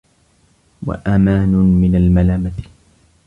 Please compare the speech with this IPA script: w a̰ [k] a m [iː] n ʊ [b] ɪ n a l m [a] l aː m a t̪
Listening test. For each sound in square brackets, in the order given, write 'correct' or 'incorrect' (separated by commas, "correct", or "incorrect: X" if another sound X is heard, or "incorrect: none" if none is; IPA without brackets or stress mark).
incorrect: ʔ, incorrect: aː, incorrect: m, correct